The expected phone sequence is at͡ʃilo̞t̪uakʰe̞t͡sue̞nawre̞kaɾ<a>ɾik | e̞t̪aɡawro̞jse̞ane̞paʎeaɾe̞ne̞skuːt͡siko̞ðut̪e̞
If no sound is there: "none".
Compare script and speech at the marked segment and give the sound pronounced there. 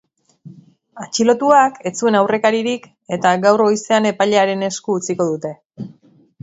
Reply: i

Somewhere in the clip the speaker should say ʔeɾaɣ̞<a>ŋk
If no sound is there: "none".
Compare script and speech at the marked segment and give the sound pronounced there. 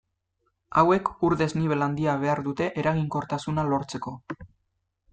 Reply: i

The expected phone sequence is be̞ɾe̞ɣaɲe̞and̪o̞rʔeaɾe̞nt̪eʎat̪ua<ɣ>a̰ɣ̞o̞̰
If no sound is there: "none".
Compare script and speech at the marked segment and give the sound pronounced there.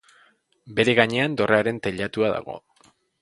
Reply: ð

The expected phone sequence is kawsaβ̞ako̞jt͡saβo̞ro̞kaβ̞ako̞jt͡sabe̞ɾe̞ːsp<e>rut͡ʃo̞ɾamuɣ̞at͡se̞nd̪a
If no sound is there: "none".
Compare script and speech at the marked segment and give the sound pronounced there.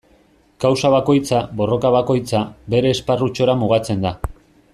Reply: a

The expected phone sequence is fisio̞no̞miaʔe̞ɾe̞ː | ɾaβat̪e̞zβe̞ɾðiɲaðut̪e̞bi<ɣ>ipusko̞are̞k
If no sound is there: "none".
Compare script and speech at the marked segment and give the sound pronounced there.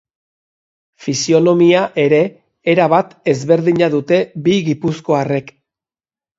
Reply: ɣ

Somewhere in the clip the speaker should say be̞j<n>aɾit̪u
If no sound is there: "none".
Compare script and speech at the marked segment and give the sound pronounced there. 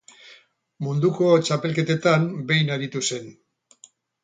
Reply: n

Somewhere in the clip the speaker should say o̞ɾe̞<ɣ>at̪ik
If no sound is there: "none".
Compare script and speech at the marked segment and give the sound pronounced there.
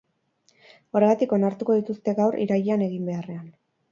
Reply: ɣ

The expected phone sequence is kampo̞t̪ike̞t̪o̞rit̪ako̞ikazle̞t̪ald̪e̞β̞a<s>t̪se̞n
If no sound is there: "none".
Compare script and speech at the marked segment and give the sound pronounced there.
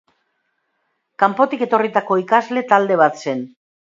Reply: none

